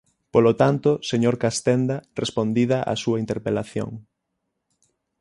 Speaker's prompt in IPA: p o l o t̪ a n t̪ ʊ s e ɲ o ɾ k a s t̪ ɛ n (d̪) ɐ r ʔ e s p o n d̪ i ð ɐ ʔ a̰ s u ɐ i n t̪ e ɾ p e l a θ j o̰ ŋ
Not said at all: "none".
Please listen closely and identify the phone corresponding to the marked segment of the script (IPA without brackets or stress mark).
d̪